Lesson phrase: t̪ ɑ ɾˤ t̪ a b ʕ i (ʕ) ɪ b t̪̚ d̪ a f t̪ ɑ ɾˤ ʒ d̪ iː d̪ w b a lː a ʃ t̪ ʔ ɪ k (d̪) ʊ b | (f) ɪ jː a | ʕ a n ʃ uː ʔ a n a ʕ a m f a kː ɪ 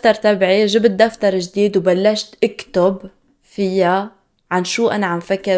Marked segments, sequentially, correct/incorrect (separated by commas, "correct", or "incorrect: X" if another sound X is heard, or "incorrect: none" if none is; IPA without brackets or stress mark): incorrect: ʒ, incorrect: t̪, correct